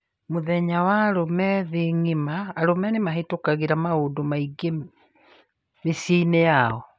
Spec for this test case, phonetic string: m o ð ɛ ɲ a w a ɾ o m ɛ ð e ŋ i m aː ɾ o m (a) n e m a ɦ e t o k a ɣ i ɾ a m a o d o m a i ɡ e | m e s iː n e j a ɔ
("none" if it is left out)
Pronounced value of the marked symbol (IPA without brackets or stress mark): ɛ